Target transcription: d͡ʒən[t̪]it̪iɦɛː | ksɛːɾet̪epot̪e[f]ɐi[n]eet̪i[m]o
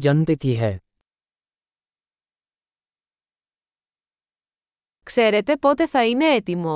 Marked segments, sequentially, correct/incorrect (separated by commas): correct, correct, correct, correct